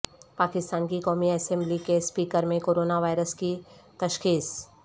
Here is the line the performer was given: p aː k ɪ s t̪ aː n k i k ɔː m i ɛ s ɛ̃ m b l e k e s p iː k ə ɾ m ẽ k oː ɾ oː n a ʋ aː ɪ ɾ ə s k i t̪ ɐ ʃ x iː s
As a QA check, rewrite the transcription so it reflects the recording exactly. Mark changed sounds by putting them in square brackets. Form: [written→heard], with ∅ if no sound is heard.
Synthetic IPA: p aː k ɪ s t̪ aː n k i k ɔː m i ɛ s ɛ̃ m b l [e→i] k e s p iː k ə ɾ m ẽ k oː ɾ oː n a ʋ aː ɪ ɾ ə s k i t̪ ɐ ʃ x iː s

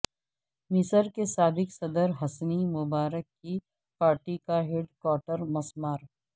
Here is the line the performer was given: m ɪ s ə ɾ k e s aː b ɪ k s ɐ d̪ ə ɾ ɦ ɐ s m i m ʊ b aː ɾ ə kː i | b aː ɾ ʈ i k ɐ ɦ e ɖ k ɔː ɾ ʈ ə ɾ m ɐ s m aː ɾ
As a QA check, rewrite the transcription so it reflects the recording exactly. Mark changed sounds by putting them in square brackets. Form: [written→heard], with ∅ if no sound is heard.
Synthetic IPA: m ɪ s ə ɾ k e s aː b ɪ k s ɐ d̪ ə ɾ ɦ ɐ s [m→n] i m ʊ b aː ɾ ə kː i | [b→p] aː ɾ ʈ i k [ɐ→a] ɦ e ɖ k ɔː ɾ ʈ ə ɾ m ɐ s m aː ɾ

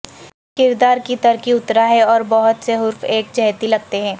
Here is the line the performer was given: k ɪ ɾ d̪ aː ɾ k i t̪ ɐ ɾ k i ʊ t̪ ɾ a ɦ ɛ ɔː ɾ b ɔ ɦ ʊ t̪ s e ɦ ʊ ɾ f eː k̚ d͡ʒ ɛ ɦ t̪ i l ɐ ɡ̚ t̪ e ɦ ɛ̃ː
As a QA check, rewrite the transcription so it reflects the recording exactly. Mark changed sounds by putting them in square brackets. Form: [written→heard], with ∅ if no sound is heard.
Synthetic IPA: k ɪ ɾ d̪ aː ɾ k i t̪ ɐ ɾ k i ʊ t̪ ɾ a ɦ ɛ ɔː ɾ b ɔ ɦ ʊ t̪ s e ɦ ʊ ɾ f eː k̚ d͡ʒ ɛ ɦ t̪ i l ɐ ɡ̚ t̪ e ɦ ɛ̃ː

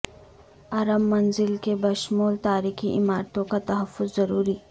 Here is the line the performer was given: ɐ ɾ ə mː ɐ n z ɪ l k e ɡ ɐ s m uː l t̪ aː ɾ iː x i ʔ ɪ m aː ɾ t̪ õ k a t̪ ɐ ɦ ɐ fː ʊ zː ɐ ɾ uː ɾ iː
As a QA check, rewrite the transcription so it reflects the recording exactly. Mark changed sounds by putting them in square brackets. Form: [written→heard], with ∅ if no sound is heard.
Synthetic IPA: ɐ ɾ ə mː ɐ n z ɪ l k e [ɡ→b] ɐ [s→ʃ] m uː l t̪ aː ɾ iː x i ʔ ɪ m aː ɾ t̪ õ k a t̪ ɐ ɦ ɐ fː ʊ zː ɐ ɾ uː ɾ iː

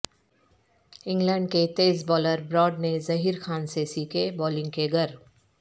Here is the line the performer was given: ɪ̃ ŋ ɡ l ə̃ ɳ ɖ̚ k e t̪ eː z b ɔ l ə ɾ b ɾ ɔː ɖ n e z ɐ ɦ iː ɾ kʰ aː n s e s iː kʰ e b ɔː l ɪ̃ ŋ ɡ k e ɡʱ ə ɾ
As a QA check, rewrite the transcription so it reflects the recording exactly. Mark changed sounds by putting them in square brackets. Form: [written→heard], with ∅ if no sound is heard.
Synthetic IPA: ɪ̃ ŋ ɡ l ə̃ ɳ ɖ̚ k e t̪ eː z b [ɔ→ɔː] l ə ɾ b ɾ ɔː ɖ n e z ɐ ɦ iː ɾ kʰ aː n s e s iː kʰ e b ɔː l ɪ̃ ŋ ɡ k e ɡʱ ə ɾ

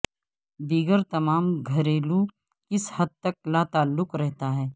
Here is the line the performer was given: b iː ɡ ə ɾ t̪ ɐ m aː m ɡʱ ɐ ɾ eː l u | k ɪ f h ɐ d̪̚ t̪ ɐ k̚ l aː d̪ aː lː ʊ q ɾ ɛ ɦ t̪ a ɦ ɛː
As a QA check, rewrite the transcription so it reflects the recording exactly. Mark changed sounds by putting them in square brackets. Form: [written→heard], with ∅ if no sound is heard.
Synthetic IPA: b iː ɡ ə ɾ t̪ ɐ m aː m ɡʱ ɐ ɾ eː l u | k ɪ [f→s] h ɐ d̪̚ t̪ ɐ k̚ l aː [d̪→t̪] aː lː ʊ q ɾ ɛ ɦ t̪ a ɦ ɛː

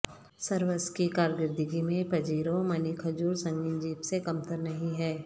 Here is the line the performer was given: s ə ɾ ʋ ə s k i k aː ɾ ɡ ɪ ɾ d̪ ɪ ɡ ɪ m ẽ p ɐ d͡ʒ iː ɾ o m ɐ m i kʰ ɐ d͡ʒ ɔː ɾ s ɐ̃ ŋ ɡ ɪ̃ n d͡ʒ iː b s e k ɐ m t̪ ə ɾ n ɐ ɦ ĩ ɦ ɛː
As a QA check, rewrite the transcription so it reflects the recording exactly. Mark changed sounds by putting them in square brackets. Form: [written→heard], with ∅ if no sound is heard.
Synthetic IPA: s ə ɾ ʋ ə s k i k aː ɾ ɡ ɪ ɾ d̪ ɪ ɡ [ɪ→i] m ẽ p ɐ d͡ʒ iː ɾ o m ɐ [m→n] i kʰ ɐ d͡ʒ [ɔː→uː] ɾ s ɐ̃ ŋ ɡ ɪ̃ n d͡ʒ iː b s e k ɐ m t̪ ə ɾ n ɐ ɦ ĩ ɦ ɛː

